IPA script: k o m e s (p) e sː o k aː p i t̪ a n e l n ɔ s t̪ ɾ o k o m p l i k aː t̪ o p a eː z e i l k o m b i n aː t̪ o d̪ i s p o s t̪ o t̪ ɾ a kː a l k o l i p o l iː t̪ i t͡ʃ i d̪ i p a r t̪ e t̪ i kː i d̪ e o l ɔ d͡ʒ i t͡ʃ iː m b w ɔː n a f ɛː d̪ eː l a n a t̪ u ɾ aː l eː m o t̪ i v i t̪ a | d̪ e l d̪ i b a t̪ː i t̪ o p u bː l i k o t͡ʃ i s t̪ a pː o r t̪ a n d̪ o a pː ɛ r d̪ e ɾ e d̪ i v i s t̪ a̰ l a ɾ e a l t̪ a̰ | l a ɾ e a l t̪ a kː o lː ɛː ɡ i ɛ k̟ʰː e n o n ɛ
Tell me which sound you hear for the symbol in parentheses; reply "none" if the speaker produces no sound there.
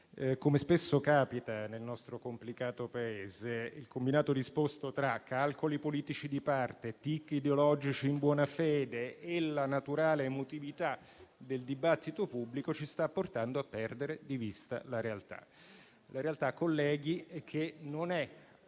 p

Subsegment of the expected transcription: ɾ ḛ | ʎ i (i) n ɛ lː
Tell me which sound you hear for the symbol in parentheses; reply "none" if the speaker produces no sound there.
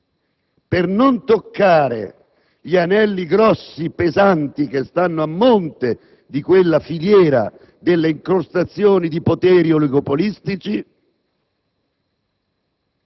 a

